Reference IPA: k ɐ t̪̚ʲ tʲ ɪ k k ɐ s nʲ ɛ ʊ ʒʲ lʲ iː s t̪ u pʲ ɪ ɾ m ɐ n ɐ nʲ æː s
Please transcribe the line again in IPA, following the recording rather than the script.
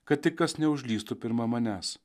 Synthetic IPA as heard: k ɐ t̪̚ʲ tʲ ɪ k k ɐ s nʲ ɛ ʊ ʒʲ lʲ iː s t̪ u pʲ ɪ ɾ m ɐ m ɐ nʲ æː s